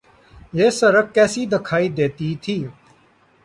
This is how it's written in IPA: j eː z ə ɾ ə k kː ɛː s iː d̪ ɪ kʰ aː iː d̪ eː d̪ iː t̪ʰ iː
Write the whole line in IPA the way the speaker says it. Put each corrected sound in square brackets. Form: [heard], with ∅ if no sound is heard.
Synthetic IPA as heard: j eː [s] ə ɾ ə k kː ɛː s iː d̪ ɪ kʰ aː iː d̪ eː [t̪] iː t̪ʰ iː